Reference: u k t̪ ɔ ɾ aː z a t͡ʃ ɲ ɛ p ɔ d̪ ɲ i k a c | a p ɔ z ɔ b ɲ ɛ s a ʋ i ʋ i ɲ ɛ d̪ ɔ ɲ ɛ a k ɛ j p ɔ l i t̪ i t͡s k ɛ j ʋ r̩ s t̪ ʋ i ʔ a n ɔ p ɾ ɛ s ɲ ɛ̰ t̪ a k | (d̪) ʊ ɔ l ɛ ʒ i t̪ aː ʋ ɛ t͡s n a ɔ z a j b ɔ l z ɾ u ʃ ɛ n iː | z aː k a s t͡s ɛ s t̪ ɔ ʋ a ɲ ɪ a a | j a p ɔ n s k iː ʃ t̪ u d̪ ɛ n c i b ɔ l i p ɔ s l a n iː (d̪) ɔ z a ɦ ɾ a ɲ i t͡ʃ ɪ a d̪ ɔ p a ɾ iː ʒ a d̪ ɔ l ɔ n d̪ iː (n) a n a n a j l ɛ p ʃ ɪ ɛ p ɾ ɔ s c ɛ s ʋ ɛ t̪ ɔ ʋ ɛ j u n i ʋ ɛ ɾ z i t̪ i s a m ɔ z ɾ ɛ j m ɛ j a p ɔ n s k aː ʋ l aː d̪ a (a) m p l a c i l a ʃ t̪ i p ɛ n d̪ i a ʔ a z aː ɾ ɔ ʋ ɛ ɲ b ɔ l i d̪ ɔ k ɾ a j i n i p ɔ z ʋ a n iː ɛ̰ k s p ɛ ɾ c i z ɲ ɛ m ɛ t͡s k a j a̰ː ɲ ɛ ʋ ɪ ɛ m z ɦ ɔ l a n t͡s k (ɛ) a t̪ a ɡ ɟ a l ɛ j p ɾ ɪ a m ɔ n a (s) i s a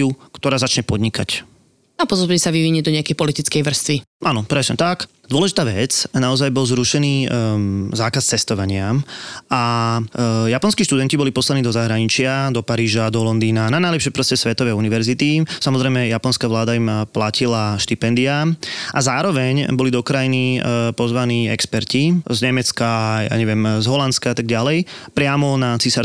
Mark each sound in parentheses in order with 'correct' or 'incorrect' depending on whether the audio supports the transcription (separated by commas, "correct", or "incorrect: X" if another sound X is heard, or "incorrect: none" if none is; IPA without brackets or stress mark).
correct, correct, correct, incorrect: i, incorrect: a, incorrect: t͡s